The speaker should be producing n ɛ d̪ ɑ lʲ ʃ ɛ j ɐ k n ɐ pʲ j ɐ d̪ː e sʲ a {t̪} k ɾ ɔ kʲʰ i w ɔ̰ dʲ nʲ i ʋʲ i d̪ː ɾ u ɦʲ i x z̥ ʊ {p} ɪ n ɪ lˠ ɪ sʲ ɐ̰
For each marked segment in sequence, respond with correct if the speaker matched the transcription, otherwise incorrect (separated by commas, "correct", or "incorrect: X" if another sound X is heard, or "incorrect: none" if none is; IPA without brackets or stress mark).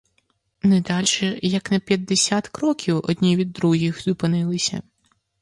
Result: correct, correct